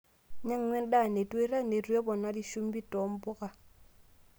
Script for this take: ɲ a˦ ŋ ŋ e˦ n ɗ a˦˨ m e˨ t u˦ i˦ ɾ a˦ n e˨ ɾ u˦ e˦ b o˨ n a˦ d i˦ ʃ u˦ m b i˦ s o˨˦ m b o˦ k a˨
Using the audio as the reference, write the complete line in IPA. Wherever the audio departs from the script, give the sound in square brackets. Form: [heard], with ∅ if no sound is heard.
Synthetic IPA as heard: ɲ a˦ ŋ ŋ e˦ n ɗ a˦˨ [n] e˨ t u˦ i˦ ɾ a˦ n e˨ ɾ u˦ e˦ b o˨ n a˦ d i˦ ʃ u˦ m b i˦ [t] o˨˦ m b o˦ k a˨